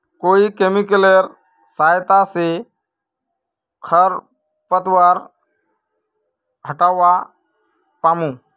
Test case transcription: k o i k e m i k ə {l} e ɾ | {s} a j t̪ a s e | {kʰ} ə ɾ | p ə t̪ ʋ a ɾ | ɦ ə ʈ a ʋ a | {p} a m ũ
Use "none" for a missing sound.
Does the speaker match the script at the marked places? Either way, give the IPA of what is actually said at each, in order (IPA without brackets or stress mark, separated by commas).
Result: l, s, kʰ, p